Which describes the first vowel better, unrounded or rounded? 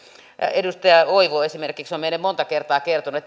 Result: unrounded